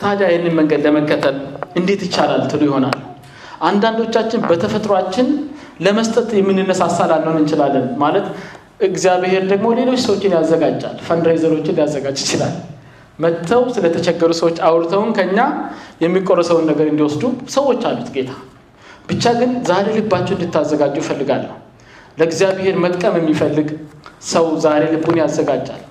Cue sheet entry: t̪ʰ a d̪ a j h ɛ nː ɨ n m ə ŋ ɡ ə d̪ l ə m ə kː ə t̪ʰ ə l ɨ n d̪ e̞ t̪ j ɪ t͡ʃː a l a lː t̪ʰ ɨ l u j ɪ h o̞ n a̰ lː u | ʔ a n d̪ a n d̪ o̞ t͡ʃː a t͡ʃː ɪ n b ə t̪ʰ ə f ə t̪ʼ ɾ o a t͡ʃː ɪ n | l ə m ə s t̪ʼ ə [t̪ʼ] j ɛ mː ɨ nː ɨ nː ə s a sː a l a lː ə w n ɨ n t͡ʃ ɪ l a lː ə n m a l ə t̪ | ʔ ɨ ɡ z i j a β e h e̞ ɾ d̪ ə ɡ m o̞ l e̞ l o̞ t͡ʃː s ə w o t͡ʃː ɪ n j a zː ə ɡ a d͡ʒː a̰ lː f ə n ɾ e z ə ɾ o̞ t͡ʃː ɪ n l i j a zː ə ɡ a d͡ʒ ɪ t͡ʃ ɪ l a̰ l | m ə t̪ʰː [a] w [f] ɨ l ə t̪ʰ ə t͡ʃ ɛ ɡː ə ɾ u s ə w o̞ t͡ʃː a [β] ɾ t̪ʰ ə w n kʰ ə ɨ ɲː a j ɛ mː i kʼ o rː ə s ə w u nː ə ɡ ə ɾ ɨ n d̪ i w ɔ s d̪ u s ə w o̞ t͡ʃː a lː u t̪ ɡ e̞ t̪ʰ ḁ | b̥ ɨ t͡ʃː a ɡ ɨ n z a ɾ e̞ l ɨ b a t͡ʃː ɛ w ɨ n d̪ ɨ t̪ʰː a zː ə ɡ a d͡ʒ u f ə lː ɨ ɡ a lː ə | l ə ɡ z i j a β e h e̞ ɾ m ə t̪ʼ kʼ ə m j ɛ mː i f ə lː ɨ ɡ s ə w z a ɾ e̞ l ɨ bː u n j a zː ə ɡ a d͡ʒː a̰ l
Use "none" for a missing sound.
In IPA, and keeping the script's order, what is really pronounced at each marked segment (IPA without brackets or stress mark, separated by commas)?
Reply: t̪, ə, s, w